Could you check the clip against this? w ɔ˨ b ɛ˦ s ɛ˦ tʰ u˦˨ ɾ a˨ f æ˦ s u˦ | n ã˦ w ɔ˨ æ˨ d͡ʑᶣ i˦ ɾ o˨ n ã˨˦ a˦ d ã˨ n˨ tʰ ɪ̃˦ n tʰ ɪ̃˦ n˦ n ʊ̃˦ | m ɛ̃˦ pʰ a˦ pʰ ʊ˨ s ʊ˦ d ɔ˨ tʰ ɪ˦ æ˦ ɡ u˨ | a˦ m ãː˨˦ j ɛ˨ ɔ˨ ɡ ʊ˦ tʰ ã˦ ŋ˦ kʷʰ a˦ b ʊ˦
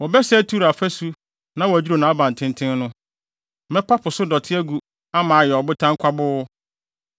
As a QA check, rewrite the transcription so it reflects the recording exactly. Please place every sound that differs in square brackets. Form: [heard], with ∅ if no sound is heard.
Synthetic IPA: w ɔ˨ b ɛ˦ s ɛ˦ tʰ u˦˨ ɾ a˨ f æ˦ s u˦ | n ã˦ w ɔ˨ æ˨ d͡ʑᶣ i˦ ɾ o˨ n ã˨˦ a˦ [b] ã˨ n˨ tʰ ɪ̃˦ n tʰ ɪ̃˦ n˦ n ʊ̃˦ | m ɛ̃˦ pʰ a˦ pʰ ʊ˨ s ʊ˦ d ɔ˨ tʰ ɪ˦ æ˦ ɡ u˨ | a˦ m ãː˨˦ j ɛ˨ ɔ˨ [b] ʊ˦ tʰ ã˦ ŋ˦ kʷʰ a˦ b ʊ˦